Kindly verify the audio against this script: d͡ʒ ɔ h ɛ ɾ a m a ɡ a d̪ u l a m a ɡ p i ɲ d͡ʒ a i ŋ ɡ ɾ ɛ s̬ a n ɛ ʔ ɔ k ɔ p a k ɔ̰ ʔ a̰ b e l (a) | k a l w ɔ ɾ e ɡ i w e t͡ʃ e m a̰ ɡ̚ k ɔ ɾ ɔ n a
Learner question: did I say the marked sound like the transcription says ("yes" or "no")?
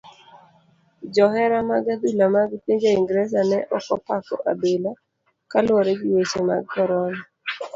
yes